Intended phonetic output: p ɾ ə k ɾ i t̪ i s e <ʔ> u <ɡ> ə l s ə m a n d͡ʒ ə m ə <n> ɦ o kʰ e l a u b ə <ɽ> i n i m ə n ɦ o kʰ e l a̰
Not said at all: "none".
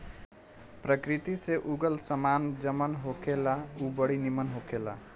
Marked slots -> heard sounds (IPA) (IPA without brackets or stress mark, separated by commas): ʔ, ɡ, n, ɽ